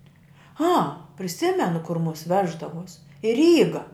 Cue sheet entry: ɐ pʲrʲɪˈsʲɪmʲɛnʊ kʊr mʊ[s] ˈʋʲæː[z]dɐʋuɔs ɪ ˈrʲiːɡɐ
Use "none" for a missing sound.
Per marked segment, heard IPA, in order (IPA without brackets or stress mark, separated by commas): s, ʒ